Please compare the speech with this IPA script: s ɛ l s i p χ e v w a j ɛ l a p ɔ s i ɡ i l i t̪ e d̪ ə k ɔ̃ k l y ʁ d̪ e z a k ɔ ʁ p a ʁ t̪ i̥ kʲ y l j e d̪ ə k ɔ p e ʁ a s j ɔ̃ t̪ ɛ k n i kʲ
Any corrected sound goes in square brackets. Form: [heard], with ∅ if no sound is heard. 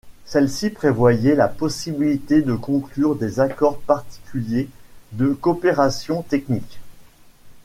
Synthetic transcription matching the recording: s ɛ l s i p χ e v w a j ɛ l a p ɔ s i [b] i l i t̪ e d̪ ə k ɔ̃ k l y ʁ d̪ e z a k ɔ ʁ p a ʁ t̪ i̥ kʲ y l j e d̪ ə k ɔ p e ʁ a s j ɔ̃ t̪ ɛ k n i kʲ

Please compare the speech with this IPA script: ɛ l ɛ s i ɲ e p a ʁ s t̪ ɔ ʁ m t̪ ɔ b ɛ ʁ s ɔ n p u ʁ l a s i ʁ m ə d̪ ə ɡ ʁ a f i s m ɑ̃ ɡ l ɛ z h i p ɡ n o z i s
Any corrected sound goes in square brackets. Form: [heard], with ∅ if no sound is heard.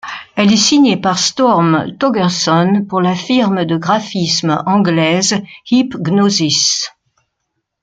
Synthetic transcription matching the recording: ɛ l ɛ s i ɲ e p a ʁ s t̪ ɔ ʁ m t̪ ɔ [ɡ] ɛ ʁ s ɔ n p u ʁ l a [f] i ʁ m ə d̪ ə ɡ ʁ a f i s m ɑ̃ ɡ l ɛ z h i p ɡ n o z i s

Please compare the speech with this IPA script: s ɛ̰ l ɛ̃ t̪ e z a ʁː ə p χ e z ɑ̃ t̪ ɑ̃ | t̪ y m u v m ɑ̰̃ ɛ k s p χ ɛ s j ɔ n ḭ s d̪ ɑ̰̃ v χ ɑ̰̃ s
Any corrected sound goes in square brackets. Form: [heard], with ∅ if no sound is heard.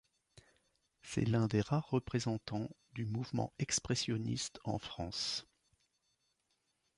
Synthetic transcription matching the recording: s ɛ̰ l ɛ̃ [d̪] e [ʁ] a ʁː ə p χ e z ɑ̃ t̪ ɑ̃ | [d̪] y m u v m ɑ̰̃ ɛ k s p χ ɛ s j ɔ n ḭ s [t̪] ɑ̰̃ [f] χ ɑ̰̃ s

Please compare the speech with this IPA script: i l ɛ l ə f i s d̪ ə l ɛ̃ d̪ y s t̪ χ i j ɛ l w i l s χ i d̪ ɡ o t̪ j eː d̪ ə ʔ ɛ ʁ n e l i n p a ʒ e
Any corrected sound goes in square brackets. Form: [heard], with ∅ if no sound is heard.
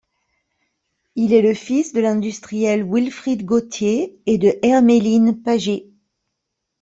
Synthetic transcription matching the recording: i l ɛ l ə f i s d̪ ə l ɛ̃ d̪ y s t̪ χ i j ɛ l w i l [f] χ i d̪ ɡ o t̪ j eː d̪ ə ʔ ɛ ʁ [m] e l i n p a ʒ e

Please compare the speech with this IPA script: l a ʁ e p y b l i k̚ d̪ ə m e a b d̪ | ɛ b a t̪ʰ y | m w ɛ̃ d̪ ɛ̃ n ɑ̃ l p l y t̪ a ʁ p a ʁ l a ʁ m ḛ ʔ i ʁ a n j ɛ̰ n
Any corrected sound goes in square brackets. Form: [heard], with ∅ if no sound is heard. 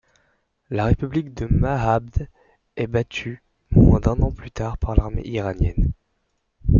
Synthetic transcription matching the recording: l a ʁ e p y b l i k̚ d̪ ə m [a] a b d̪ | ɛ b a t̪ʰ y | m w ɛ̃ d̪ ɛ̃ n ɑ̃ [∅] p l y t̪ a ʁ p a ʁ l a ʁ m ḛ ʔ i ʁ a n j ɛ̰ n

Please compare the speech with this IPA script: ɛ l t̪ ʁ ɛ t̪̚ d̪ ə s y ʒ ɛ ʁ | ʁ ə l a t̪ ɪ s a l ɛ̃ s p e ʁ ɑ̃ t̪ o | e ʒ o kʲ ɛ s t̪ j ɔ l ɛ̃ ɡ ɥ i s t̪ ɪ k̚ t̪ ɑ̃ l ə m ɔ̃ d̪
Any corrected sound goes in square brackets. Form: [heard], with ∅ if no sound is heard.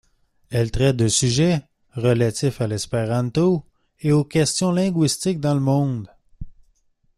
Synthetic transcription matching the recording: ɛ l t̪ ʁ ɛ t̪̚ d̪ ə s y ʒ ɛ [∅] | ʁ ə l a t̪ ɪ [f] a l [ɛ] s p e ʁ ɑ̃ t̪ o | e [∅] o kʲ ɛ s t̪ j [ɔ̃] l ɛ̃ ɡ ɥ i s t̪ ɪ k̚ [d̪] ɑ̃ l ə m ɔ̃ d̪

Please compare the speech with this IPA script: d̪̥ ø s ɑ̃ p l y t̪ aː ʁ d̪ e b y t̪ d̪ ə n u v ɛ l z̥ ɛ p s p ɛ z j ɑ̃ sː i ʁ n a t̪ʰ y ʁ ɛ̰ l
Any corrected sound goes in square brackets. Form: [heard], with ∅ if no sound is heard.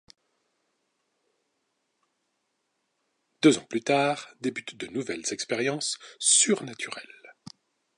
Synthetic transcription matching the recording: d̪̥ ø [z] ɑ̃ p l y t̪ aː ʁ d̪ e b y t̪ d̪ ə n u v ɛ l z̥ ɛ [k] s p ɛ [ʁ] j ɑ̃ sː [y] ʁ n a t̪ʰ y ʁ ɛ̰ l

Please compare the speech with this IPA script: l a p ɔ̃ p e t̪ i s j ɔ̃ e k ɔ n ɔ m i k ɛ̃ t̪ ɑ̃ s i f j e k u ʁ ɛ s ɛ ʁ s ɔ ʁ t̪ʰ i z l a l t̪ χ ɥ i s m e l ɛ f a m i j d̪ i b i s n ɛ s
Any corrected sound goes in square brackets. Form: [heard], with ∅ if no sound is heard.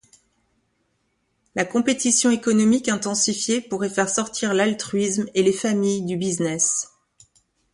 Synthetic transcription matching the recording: l a [k] ɔ̃ p e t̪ i s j ɔ̃ e k ɔ n ɔ m i k ɛ̃ t̪ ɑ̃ s i f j e [p] u ʁ ɛ [f] ɛ ʁ s ɔ ʁ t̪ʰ i [ʁ] l a l t̪ χ ɥ i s m e l [e] f a m i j d̪ [y] b i [z] n ɛ s

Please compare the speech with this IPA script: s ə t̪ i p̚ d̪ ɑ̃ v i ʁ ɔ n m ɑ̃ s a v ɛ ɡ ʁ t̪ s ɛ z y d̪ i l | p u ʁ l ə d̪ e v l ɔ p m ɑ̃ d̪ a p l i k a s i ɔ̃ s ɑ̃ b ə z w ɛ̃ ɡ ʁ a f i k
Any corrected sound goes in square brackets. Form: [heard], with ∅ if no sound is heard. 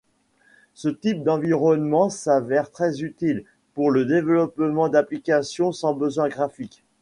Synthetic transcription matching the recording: s ə t̪ i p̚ d̪ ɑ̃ v i ʁ ɔ n m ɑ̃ s a v ɛ [∅] ʁ t̪ [χ] ɛ z y [t̪] i l | p u ʁ l ə d̪ e v l ɔ p m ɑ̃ d̪ a p l i k a s [j] ɔ̃ s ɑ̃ b ə z w ɛ̃ ɡ ʁ a f i k

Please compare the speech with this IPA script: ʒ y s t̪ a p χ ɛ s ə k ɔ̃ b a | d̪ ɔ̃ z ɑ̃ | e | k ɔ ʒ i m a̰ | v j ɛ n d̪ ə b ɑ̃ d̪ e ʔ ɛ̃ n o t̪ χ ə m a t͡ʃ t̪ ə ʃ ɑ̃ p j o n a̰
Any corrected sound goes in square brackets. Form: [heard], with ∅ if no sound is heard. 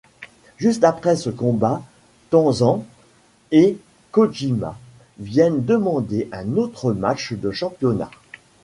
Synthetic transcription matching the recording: ʒ y s t̪ a p χ ɛ s ə k ɔ̃ b a | [t̪] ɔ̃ z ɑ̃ | e | k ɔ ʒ i m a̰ | v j ɛ n d̪ ə [m] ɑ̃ d̪ e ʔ ɛ̃ n o t̪ χ ə m a t͡ʃ [d̪] ə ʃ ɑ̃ p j [ɔ] n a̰

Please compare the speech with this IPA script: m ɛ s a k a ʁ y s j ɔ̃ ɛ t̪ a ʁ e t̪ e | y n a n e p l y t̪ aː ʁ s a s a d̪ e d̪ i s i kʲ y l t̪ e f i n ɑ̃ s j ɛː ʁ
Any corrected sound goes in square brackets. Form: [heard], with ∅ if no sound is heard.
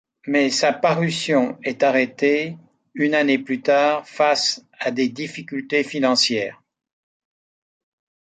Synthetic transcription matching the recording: m ɛ s a [p] a ʁ y s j ɔ̃ ɛ t̪ a ʁ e t̪ e | y n a n e p l y t̪ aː ʁ [f] a s a d̪ e d̪ i [f] i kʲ y l t̪ e f i n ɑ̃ s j ɛː ʁ

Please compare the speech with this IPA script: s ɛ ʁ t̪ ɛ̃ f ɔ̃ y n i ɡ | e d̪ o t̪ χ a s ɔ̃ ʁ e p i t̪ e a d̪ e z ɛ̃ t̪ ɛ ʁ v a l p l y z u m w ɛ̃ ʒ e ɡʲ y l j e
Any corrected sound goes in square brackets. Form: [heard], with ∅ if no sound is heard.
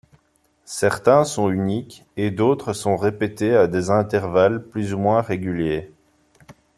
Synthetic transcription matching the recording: s ɛ ʁ t̪ ɛ̃ [s] ɔ̃ y n i [k] | e d̪ o t̪ χ [ə] s ɔ̃ ʁ e p [e] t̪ e a d̪ e z ɛ̃ t̪ ɛ ʁ v a l p l y z u m w ɛ̃ [ʁ] e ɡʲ y l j e

